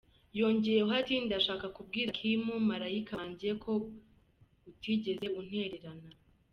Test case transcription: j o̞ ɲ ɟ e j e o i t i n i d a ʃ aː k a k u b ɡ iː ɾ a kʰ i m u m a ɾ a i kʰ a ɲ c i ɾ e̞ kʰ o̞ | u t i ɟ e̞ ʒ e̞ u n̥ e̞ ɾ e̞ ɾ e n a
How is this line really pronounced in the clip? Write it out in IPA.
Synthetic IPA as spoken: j o̞ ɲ ɟ e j e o a t i n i d a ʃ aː k a k u b ɡ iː ɾ a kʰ i m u m a ɾ a i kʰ a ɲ ɟ i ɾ e̞ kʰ o̞ | u t i ɟ e̞ z e̞ u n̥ e̞ ɾ e̞ ɾ a n a

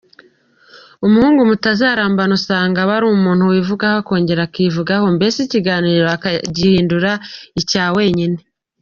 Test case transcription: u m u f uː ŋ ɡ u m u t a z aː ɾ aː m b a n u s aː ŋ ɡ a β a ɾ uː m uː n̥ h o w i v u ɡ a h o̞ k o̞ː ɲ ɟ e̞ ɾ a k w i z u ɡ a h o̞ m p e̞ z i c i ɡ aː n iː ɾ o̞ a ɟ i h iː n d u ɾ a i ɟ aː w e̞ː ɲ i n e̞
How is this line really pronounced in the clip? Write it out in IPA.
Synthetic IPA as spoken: u m u h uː ŋ ɡ u m u t a z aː ɾ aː m b a n u s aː ŋ ɡ a β a ɾ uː m uː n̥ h u w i v u ɡ a h o̞ k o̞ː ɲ ɟ e̞ ɾ a k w i v u ɡ a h o̞ m b e̞ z i c i ɡ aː n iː ɾ o̞ a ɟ i h iː n d u ɾ a i c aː w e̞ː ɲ i n e̞

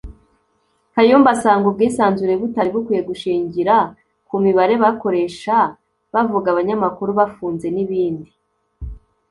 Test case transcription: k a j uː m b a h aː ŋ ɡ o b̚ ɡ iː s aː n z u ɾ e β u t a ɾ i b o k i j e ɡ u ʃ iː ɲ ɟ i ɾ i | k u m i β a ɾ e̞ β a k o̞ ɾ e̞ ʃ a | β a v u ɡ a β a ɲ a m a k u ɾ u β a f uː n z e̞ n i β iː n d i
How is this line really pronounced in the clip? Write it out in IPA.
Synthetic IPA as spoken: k a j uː m b a s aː ŋ ɡ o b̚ ɡ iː s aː n z u ɾ e β u t a ɾ i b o k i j e ɡ u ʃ iː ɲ ɟ i ɾ a | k u m i β a ɾ e̞ β a k o̞ ɾ e̞ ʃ a | β a v u ɡ a β a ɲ a m a k u ɾ u β a f uː n z e̞ n i β iː n d i

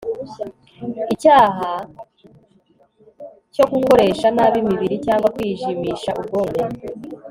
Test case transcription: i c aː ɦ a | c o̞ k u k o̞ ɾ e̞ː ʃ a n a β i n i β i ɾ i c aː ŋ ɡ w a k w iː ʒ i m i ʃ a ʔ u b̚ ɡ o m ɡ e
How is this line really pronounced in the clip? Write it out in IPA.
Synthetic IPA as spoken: i c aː ɦ a | c o̞ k u k o̞ ɾ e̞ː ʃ a n a β i m i β i ɾ i c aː ŋ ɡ w a k w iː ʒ i m i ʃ a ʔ u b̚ ɡ o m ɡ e

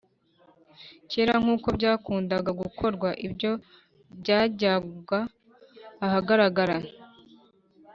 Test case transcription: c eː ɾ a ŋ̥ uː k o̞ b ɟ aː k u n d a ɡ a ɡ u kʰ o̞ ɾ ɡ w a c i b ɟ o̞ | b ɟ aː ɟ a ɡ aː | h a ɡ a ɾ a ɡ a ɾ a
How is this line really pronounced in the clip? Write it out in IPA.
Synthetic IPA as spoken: c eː ɾ a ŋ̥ uː k o̞ b ɟ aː k uː n d a ɡ a ɡ u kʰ o̞ ɾ ɡ w a ʔ i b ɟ o̞ | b ɟ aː ɟ a ɡ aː | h a ɡ a ɾ a ɡ a ɾ a

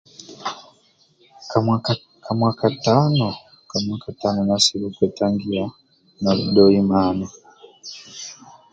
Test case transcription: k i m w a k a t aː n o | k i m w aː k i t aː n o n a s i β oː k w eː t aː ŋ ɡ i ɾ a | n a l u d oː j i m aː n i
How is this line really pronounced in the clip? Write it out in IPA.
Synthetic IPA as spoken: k a m w a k a t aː n o | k a m w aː k a t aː n o n a s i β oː k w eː t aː ŋ ɡ i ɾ a | n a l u d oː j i m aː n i

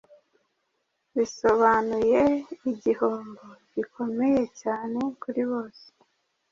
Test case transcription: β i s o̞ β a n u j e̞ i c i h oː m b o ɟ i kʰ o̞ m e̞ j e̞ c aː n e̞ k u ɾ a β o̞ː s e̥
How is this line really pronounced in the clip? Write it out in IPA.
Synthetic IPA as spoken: β i s o̞ β a n u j e̞ i ɟ i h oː m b o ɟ i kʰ o̞ m e̞ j e̞ c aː n e̞ k u ɾ i β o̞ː s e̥

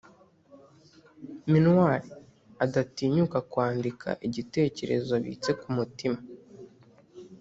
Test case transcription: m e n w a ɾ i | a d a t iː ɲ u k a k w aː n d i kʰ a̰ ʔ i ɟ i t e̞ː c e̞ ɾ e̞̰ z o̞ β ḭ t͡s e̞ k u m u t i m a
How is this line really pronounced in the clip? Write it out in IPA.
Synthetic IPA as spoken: m i n w a ɾ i | a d a t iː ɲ u k a k w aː n d i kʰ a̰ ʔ i ɟ i t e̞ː c e̞ ɾ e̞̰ z o̞ β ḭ t͡s e̞ k u m u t i m a

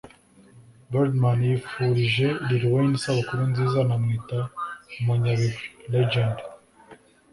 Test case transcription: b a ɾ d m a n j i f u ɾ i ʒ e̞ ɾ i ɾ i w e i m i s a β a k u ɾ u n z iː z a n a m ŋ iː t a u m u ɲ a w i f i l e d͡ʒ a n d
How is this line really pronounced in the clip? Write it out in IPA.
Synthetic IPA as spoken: b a ɾ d m a n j i f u ɾ i ʒ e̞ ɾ i ɾ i w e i n i s a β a k u ɾ u n z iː z a n a m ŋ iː t a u m u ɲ a β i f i l e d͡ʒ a n d

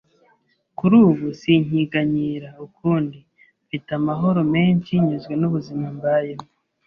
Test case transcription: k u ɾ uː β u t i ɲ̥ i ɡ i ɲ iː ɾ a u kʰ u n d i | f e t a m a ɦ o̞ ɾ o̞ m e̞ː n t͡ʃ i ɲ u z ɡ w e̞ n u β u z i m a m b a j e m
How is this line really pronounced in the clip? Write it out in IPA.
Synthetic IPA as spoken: k u ɾ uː β u s i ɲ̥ i ɡ a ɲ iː ɾ a u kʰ uː n d i | f i t a m a ɦ o̞ ɾ o̞ m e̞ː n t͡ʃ i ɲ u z ɡ w e̞ n u β u z i m a m b a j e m

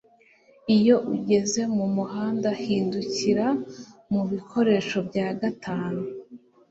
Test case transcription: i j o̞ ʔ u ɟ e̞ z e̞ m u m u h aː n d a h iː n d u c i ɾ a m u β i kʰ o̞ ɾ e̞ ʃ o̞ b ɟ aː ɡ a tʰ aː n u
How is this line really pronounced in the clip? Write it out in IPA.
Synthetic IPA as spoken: i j o̞ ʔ u ɟ e̞ z e̞ m u m u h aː n d a h iː n d u c i ɾ a m u β i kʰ o̞ ɾ e̞ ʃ o̞ b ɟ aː ɡ a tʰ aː n u

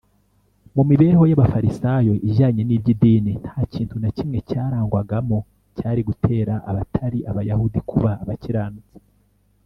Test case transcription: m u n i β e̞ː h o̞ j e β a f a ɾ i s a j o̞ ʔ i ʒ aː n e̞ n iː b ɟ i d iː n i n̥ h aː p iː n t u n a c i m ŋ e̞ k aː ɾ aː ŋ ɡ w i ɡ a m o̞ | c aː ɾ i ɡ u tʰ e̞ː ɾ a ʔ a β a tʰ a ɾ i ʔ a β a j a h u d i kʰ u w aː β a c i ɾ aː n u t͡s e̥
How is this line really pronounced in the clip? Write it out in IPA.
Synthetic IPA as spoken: m u m i β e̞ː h o̞ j a β a f a ɾ i s a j o̞ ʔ i ʒ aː ɲ e̞ n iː b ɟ i d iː n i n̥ h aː c iː n t u n a c i m ŋ e̞ c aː ɾ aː ŋ ɡ w a ɡ a m o̞ | c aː ɾ i ɡ u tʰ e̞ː ɾ a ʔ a β a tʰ a ɾ i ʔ a β a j a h u d i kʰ u β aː β a c i ɾ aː n u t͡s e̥

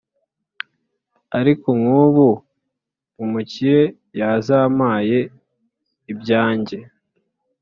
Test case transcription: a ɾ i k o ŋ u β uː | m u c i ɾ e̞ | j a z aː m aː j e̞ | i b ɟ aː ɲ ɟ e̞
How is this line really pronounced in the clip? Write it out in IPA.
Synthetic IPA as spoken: a ɾ i k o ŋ u β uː | m u c i ɾ e̞ | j a z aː m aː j e̞ | i b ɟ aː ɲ ɟ e̞

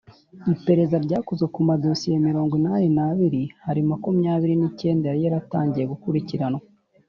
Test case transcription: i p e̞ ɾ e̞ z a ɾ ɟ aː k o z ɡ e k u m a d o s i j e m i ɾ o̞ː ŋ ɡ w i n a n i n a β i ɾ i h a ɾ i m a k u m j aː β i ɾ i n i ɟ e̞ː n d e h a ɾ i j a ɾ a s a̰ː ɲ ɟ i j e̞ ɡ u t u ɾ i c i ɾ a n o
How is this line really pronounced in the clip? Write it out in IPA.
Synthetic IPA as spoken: i p e̞ ɾ e̞ z a ɾ ɟ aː k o z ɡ e k u m a d o s i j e m i ɾ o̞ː ŋ ɡ w i n a n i n a β i ɾ i h a ɾ i m a k u m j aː β i ɾ i n i c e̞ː n d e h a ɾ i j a ɾ a t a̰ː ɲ ɟ i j e̞ ɡ u k u ɾ i c i ɾ a n o

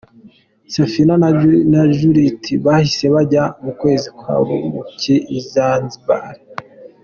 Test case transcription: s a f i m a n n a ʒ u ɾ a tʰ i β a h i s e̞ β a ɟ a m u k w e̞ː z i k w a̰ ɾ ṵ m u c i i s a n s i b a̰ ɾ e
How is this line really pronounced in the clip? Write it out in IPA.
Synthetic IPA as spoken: s a f i n a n n a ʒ u ɾ i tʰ i β a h i s e̞ β a ɟ a m u k w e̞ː z i k w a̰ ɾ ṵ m u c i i z a n z i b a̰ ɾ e

